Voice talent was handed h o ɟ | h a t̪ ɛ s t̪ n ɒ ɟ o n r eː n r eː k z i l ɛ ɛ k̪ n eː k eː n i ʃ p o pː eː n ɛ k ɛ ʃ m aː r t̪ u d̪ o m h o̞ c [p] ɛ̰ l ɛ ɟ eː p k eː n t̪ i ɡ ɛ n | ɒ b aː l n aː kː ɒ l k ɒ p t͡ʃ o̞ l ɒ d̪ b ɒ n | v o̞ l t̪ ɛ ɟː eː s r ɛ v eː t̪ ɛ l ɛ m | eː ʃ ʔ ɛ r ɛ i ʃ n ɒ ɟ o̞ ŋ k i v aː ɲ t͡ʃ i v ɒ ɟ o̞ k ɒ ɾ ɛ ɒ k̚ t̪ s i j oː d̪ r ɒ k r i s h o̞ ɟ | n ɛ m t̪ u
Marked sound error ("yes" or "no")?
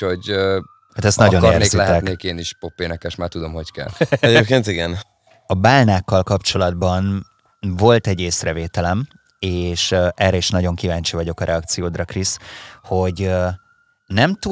yes